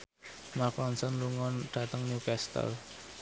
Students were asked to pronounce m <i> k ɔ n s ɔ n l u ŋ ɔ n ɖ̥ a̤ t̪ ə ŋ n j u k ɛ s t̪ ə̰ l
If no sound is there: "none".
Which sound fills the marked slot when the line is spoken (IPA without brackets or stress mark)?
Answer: a